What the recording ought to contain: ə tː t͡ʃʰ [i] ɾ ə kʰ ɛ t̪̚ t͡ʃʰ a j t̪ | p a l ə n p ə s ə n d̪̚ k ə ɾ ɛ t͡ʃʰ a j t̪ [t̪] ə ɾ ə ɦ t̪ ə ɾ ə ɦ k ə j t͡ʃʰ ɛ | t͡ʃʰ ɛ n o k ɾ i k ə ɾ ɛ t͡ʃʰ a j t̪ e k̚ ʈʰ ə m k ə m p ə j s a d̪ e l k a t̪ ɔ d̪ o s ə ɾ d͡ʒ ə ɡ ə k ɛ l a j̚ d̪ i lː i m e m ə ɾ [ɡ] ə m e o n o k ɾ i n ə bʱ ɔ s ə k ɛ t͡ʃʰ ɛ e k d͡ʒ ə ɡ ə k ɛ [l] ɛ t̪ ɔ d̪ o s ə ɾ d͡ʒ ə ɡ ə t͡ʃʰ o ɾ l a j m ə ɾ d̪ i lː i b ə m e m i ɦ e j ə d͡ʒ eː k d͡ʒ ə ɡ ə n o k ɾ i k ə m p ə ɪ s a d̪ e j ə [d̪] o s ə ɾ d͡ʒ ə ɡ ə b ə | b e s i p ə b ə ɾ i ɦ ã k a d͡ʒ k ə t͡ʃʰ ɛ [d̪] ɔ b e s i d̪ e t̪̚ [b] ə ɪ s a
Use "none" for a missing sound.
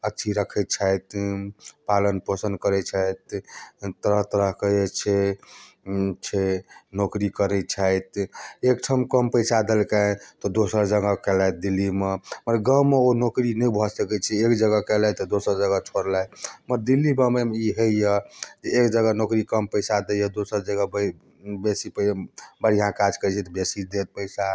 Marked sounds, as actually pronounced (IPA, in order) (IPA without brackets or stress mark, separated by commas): i, t̪, ɡ, l, d̪, t̪, p